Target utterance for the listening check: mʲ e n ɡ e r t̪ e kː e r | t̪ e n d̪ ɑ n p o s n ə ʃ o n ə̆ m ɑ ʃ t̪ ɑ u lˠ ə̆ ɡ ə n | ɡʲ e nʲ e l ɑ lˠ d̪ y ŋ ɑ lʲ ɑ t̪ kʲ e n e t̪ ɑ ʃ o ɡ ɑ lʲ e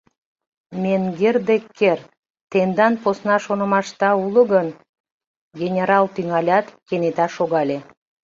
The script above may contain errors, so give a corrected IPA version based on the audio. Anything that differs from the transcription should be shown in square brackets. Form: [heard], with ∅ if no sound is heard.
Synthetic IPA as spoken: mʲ e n ɡ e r [d̪] e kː e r | t̪ e n d̪ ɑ n p o s n [ɑ] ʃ o n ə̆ m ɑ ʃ t̪ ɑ u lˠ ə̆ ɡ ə n | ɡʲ e nʲ e [ɾ] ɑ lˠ [t̪] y ŋ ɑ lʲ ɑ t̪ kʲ e n e t̪ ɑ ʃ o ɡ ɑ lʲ e